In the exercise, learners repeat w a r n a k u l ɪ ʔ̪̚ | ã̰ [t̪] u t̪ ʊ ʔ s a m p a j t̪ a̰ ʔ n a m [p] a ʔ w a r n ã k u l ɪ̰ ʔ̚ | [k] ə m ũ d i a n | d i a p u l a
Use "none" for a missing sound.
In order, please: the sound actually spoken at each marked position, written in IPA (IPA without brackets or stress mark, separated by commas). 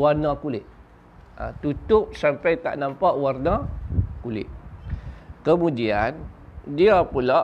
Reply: t̪, p, k